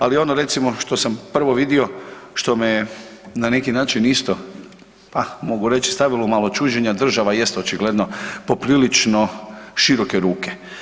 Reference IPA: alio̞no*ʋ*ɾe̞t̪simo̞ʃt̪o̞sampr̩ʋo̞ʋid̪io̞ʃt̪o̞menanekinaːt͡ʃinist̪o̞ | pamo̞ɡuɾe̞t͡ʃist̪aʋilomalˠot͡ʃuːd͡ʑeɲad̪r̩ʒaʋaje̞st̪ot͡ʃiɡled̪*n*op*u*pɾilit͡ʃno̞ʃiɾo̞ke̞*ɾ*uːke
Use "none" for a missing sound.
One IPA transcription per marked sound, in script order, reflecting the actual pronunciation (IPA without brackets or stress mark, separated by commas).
none, n, o, ɾ